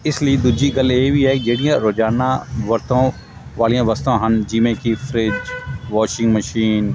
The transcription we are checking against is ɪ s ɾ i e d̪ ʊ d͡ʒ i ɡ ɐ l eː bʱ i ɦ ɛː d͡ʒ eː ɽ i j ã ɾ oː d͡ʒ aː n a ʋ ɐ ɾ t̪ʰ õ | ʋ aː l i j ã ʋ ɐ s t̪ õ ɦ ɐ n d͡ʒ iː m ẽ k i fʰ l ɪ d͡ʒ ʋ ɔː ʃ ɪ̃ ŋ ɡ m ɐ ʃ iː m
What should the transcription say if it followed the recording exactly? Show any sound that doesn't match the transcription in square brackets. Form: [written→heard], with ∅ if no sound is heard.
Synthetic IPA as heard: ɪ s [ɾ→l] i e d̪ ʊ d͡ʒ i ɡ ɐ l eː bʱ i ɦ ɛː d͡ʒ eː ɽ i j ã ɾ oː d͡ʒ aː n a ʋ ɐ ɾ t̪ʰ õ | ʋ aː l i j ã ʋ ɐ s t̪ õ ɦ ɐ n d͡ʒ iː m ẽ k i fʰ [l→ɾ] ɪ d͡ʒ ʋ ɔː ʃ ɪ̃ ŋ ɡ m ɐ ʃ iː [m→n]